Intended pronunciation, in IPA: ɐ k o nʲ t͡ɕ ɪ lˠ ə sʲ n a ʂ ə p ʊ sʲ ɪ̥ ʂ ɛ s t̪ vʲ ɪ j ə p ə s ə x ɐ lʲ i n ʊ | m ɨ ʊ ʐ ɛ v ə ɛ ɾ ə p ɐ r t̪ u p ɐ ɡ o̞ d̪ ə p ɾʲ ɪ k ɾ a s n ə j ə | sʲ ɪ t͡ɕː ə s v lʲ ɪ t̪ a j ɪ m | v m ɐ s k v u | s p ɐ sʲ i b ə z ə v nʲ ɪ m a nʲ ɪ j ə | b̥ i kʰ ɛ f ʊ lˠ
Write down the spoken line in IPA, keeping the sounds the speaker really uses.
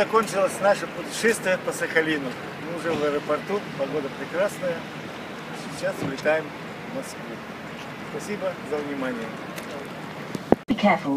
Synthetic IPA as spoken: ɐ k o nʲ t͡ɕ ɪ lˠ ə sʲ n a ʂ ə p ʊ tʲ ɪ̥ ʂ ɛ s t̪ vʲ ɪ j ə p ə s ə x ɐ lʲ i n ʊ | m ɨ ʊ ʐ ɛ v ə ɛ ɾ ə p ɐ r t̪ u p ɐ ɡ o̞ d̪ ə p ɾʲ ɪ k ɾ a s n ə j ə | sʲ ɪ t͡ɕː a s v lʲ ɪ t̪ a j ɪ m | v m ɐ s k v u | s p ɐ sʲ i b ə z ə v nʲ ɪ m a nʲ ɪ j ə | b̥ i kʰ ɛ f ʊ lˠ

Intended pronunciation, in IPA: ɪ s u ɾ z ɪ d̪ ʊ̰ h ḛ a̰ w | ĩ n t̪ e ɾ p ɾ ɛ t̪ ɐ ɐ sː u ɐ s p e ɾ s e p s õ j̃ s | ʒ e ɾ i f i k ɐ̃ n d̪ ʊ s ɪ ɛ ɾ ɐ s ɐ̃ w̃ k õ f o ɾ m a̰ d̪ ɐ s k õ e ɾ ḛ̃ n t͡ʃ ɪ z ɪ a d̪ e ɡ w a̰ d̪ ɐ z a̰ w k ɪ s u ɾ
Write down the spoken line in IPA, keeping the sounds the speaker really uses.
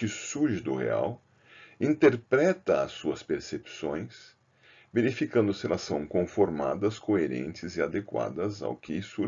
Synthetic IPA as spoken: ɪ s u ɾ ʒ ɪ d̪ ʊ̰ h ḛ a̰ w | ĩ n t̪ e ɾ p ɾ ɛ t̪ ɐ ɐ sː u ɐ s p e ɾ s e p s õ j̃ s | v e ɾ i f i k ɐ̃ n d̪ ʊ s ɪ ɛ l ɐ s ɐ̃ w̃ k õ f o ɾ m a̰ d̪ ɐ s k o e ɾ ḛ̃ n t͡ʃ ɪ z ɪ a d̪ e k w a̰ d̪ ɐ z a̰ w k ɪ s u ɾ

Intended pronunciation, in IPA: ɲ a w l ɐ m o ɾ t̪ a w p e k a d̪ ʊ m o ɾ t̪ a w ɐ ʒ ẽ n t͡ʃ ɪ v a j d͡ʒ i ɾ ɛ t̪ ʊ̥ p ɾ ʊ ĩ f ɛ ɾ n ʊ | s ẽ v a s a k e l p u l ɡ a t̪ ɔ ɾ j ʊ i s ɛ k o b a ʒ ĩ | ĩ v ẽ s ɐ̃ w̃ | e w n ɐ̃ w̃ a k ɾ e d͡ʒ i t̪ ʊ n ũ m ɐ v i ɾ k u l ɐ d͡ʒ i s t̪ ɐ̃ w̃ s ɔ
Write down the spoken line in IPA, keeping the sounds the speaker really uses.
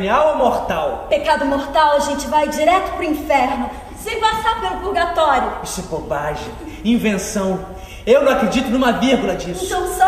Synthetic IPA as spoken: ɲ a w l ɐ m o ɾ t̪ a w p e k a d̪ ʊ m o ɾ t̪ a w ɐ ʒ ẽ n t͡ʃ ɪ v a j d͡ʒ i ɾ ɛ t̪ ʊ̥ p ɾ ʊ ĩ f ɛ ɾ n ʊ | s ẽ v a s a p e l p u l ɡ a t̪ ɔ ɾ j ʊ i s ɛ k o b a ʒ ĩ | ĩ v ẽ s ɐ̃ w̃ | e w n ɐ̃ w̃ a k ɾ e d͡ʒ i t̪ ʊ n ũ m ɐ v i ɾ ɡ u l ɐ d͡ʒ i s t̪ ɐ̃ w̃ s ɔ

